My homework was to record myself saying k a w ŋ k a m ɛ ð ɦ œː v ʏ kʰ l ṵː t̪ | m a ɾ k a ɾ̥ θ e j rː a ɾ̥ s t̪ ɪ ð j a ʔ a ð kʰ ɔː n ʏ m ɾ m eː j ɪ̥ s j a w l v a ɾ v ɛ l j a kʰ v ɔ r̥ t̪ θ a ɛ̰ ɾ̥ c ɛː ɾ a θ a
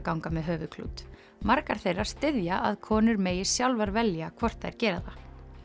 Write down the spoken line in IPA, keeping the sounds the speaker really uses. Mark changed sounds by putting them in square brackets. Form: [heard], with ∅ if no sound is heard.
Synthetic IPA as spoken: k a w ŋ k a m ɛ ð ɦ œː v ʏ kʰ l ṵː t̪ | m a ɾ k a ɾ̥ θ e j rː a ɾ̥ s t̪ ɪ ð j a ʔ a ð kʰ ɔː n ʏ [∅] ɾ m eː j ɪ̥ s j a w l v a ɾ v ɛ l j a kʰ v ɔ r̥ t̪ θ a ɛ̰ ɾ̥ c ɛː ɾ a [ð] a